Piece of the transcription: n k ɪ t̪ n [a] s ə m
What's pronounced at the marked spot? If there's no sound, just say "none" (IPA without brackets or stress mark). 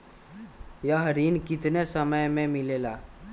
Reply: e